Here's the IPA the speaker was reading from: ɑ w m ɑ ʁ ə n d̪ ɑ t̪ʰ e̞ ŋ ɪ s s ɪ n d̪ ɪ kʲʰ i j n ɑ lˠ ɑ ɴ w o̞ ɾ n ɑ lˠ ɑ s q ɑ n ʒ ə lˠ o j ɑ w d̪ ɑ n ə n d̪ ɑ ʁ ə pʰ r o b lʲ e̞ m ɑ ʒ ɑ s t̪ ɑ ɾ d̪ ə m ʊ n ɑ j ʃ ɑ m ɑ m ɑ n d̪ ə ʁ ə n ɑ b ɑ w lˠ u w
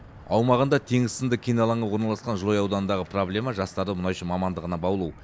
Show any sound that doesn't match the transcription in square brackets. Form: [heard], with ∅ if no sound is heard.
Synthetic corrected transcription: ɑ w m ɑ ʁ ə n d̪ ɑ t̪ʰ e̞ ŋ ɪ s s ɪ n d̪ ɪ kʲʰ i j n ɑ lˠ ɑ ɴ w o̞ ɾ n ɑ lˠ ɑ s q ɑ n ʒ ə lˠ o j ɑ w d̪ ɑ n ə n d̪ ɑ ʁ ə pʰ r o b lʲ e̞ m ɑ ʒ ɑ s t̪ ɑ ɾ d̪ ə m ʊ n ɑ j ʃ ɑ m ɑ m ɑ n d̪ ə ʁ ə n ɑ b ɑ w lˠ u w